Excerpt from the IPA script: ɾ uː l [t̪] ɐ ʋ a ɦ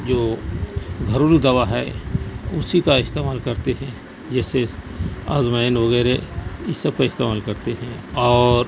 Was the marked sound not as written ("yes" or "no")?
yes